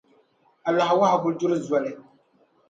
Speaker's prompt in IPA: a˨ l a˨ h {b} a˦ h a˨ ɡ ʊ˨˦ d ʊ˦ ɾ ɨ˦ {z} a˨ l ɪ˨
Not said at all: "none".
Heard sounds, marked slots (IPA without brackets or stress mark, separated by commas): w, z